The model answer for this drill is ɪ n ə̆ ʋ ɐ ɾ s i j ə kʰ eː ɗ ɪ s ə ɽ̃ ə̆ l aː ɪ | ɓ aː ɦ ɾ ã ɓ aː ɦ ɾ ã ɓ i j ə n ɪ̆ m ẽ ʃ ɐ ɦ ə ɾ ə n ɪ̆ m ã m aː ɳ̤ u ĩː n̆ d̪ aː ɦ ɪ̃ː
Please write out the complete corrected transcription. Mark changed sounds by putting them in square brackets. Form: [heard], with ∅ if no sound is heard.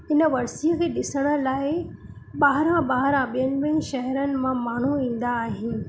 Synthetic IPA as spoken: ɪ n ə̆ ʋ ɐ ɾ s i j ə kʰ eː ɗ ɪ s ə ɽ̃ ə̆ l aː ɪ | ɓ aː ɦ ɾ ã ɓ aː ɦ ɾ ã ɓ i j ə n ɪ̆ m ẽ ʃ ɐ ɦ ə ɾ ə n ɪ̆ m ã m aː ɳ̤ u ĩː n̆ d̪ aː ɦ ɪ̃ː